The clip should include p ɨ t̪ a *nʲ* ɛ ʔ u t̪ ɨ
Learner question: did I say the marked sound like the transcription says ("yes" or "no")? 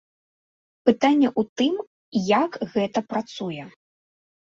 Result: no